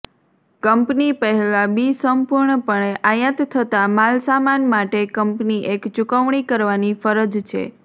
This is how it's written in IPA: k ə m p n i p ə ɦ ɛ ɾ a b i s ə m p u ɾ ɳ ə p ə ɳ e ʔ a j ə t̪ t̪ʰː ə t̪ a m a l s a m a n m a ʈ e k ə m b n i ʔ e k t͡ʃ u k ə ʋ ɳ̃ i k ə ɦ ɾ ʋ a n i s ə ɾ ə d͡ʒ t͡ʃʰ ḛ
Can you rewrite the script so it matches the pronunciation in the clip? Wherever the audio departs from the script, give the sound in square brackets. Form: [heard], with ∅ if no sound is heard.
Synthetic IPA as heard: k ə m p n i p ə ɦ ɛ [l] a b i s ə m p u ɾ ɳ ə p ə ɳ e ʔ a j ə t̪ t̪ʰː ə t̪ a m a l s a m a n m a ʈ e k ə m [p] n i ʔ e k t͡ʃ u k ə ʋ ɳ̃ i k ə [∅] ɾ ʋ a n i [f] ə ɾ ə d͡ʒ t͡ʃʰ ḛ